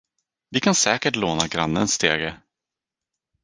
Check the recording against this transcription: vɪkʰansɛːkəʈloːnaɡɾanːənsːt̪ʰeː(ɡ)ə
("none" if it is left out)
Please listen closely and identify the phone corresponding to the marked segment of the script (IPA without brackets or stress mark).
ɡ